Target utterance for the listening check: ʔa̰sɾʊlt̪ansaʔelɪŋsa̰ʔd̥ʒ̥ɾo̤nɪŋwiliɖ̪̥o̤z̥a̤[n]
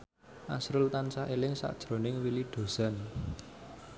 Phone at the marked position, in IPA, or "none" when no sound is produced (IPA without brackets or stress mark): n